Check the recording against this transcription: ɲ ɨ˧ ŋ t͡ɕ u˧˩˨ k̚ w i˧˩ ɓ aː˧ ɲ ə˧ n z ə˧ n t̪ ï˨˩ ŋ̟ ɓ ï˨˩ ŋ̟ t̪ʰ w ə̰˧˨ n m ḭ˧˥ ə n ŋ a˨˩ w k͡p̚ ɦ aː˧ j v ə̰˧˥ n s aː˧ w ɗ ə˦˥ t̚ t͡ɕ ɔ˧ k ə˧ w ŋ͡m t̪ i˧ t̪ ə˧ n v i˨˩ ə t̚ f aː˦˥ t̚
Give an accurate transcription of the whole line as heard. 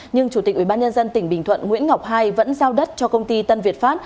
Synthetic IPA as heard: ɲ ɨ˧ ŋ t͡ɕ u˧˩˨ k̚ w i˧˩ ɓ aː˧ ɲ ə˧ n z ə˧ n t̪ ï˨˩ ŋ̟ ɓ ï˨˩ ŋ̟ t̪ʰ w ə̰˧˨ n ŋ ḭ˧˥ ə n ŋ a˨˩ w k͡p̚ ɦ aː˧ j v ə̰˧˥ n z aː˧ w ɗ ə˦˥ t̚ t͡ɕ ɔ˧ k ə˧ w ŋ͡m t̪ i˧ t̪ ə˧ n v i˨˩ ə t̚ f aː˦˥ t̚